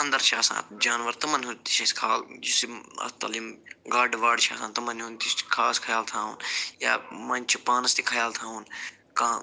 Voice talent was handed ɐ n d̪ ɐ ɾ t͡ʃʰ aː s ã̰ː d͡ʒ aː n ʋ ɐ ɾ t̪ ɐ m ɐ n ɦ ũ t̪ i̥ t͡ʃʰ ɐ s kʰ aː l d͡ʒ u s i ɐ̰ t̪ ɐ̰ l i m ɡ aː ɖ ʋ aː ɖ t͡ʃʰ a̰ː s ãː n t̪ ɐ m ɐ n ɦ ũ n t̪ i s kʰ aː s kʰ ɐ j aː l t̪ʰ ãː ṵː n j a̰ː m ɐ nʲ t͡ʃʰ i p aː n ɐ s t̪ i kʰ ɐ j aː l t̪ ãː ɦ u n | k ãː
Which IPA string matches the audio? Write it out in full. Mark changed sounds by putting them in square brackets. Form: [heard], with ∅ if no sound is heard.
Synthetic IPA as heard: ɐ n d̪ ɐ ɾ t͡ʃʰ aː s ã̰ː d͡ʒ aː n ʋ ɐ ɾ t̪ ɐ m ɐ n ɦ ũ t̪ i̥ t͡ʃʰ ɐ s kʰ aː l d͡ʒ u s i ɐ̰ t̪ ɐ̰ l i m ɡ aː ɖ ʋ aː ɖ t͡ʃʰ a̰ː s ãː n t̪ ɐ m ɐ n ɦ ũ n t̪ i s kʰ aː s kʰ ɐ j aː l t̪ʰ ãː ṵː n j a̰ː m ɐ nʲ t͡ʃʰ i p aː n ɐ s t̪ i kʰ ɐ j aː l [t̪ʰ] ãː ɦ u n | k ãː